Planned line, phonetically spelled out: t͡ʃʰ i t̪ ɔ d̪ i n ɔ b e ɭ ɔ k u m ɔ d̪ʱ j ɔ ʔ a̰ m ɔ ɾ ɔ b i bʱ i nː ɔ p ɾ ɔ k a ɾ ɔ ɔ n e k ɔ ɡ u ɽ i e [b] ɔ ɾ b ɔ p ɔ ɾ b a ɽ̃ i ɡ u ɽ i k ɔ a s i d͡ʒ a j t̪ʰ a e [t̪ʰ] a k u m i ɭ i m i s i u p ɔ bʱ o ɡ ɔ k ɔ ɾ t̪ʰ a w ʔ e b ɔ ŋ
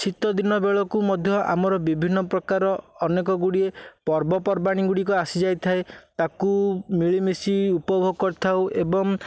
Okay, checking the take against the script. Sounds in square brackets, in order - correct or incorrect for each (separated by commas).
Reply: incorrect, incorrect